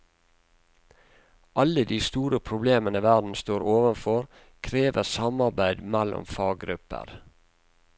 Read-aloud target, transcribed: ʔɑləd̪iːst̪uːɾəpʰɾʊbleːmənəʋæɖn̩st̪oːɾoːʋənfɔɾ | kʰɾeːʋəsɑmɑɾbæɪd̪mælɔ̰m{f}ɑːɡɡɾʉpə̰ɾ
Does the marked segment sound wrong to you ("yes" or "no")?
no